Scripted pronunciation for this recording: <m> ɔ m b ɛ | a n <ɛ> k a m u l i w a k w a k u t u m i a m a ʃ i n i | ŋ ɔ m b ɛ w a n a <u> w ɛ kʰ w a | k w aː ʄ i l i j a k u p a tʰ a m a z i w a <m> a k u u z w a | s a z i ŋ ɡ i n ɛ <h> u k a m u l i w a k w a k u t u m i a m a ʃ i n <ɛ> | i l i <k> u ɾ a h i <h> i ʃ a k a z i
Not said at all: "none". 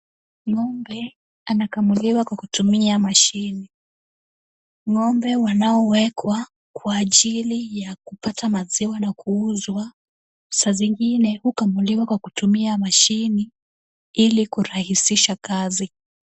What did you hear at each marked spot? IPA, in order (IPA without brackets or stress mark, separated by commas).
ŋ, a, ɔ, n, h, i, k, s